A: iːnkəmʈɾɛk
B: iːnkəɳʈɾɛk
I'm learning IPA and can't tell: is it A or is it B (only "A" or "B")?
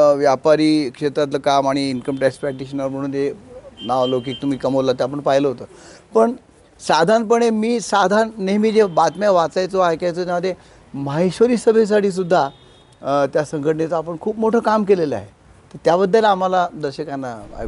A